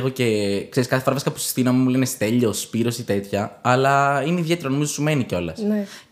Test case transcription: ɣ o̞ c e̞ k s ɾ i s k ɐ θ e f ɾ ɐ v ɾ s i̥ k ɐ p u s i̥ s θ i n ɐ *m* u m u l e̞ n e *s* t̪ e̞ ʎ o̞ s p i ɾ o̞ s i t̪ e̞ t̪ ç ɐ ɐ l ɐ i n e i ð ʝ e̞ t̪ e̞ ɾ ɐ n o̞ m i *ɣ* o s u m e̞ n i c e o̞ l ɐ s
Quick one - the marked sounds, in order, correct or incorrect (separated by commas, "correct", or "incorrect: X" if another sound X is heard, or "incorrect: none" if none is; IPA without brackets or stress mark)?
correct, correct, incorrect: z